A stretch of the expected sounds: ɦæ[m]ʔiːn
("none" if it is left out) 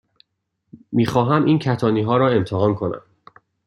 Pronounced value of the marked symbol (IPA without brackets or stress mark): m